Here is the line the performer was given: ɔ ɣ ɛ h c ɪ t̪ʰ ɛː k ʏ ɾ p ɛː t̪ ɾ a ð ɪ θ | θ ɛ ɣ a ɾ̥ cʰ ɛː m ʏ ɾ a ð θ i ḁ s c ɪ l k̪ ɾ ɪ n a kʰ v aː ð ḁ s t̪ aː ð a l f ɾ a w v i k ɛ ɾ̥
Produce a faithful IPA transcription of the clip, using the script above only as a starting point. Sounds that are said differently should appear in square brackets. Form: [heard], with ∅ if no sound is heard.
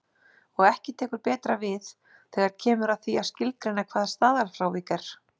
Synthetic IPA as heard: ɔ ɣ ɛ h c ɪ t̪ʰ ɛː k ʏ ɾ p ɛː t̪ ɾ a [v] ɪ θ | θ ɛ ɣ a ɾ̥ cʰ ɛː m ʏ ɾ a ð θ i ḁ s c ɪ l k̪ ɾ ɪ n a kʰ v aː ð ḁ s t̪ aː ð a l f ɾ a w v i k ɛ ɾ̥